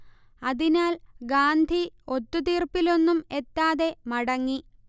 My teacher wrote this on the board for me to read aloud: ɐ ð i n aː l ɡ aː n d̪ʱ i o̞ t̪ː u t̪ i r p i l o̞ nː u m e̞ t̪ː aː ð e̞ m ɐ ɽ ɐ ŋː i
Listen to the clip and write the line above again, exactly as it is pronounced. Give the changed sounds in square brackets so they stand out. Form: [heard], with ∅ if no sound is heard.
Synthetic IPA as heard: ɐ ð i n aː l ɡ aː n d̪ʱ i o̞ t̪ː u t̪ [iː] r p i l o̞ nː u m e̞ t̪ː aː ð e̞ m ɐ ɽ ɐ ŋː i